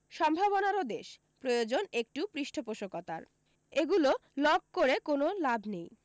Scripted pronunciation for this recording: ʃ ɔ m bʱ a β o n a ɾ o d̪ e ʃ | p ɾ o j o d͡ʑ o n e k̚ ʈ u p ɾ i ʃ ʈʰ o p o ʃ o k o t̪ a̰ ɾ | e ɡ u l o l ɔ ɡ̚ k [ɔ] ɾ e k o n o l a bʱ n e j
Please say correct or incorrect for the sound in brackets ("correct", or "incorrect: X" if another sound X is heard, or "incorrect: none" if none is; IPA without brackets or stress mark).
incorrect: o